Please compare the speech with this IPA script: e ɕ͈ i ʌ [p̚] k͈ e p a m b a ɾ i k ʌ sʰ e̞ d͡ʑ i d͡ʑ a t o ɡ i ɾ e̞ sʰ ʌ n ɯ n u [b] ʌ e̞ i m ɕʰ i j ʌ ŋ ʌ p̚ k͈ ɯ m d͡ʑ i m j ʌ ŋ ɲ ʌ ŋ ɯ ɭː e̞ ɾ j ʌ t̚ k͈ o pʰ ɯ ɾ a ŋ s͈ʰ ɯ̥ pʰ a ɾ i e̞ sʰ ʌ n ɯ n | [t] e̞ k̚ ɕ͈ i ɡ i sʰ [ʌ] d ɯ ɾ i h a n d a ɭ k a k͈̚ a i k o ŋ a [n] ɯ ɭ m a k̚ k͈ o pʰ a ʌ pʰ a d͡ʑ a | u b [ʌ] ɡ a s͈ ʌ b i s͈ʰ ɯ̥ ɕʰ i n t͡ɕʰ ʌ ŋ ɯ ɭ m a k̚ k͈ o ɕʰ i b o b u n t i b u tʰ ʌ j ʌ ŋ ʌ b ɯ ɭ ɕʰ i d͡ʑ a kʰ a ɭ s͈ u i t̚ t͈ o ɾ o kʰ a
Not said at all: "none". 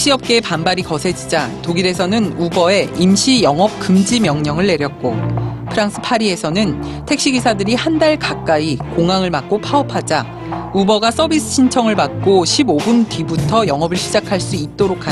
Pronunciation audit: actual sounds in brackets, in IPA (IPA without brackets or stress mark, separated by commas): p̚, b, tʰ, a, ŋ, ʌ